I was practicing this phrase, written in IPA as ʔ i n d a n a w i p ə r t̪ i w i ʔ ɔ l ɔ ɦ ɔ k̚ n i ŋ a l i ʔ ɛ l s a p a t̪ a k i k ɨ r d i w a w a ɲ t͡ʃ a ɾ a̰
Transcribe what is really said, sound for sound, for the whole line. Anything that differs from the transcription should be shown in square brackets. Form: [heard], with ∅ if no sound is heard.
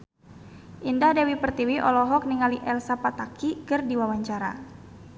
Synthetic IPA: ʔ i n d a [d] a w i p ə r t̪ i w i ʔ ɔ l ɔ ɦ ɔ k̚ n i ŋ a l i ʔ ɛ l s a p a t̪ a k i k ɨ r d i w a w a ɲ t͡ʃ a ɾ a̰